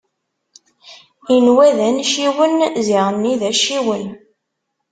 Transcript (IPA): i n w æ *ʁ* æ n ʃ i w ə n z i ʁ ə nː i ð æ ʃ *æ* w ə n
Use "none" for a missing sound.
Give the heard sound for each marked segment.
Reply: ð, i

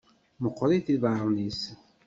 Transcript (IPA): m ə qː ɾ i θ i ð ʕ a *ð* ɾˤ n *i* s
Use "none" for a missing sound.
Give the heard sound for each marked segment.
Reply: none, i

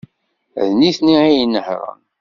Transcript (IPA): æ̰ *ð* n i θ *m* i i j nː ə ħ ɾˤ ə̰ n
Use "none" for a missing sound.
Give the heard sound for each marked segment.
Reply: ð, n

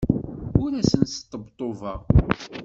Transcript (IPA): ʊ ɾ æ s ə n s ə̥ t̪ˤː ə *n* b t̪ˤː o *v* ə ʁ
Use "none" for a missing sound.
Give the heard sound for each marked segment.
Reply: none, v

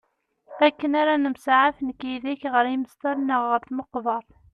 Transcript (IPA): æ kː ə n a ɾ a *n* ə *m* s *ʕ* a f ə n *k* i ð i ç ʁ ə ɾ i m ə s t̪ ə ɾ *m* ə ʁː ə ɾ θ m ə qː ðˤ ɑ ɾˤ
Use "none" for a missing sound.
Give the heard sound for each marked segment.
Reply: n, m, ʕ, k, n

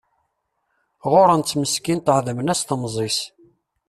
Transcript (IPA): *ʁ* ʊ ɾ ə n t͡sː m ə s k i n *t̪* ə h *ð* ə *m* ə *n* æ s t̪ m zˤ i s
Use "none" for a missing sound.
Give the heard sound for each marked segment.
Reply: ʁ, t̪, ð, m, n

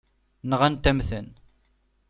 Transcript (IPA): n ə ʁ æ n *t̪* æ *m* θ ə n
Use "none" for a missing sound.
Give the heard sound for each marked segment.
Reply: t̪, m

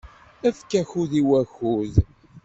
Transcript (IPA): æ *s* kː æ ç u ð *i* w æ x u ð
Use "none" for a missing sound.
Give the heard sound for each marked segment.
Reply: f, i

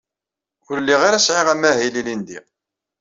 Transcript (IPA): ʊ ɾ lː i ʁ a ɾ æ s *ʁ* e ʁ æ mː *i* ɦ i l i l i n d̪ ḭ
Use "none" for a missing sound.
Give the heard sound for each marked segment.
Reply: ʕ, æ

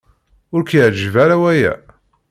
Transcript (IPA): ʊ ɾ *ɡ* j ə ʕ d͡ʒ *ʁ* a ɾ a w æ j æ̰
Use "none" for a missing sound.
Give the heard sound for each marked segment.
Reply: k, v

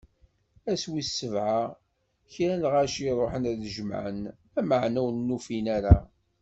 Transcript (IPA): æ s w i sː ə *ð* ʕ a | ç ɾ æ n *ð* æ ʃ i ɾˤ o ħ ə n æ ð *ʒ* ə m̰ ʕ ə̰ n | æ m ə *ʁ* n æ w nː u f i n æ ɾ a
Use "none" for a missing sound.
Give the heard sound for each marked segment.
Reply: v, ʁ, ʒ, ʕ

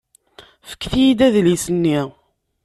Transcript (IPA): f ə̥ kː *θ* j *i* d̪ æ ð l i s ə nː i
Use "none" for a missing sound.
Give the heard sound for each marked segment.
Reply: θ, i

